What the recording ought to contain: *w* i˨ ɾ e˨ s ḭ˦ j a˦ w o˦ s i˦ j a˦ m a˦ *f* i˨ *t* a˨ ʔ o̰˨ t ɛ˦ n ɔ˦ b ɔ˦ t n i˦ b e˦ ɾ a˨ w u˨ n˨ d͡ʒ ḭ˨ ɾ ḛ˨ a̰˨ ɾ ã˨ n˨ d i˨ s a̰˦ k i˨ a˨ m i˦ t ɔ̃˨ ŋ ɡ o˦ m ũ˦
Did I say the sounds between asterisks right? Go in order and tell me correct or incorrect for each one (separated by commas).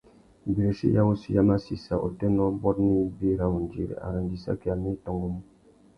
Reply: incorrect, incorrect, incorrect